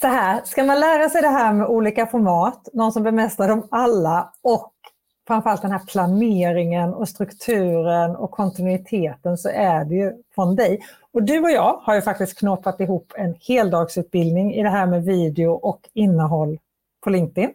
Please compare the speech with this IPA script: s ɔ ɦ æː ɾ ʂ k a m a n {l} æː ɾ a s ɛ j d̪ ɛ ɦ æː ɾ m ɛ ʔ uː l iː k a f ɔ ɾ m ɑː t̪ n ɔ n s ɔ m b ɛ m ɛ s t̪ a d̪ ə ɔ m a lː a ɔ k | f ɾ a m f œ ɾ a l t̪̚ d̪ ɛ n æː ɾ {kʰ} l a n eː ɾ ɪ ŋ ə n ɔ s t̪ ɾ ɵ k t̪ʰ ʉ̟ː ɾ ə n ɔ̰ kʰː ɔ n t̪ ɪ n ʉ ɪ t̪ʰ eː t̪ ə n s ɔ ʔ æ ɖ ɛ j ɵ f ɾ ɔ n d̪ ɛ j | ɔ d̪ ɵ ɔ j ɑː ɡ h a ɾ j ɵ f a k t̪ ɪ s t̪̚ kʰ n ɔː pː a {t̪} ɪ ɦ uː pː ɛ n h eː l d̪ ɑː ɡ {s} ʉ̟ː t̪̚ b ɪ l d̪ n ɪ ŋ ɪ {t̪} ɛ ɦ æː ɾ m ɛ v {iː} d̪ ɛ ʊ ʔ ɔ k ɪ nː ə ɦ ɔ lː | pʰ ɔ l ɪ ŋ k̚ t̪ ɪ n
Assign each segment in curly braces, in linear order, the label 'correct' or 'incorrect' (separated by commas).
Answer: correct, incorrect, correct, correct, incorrect, correct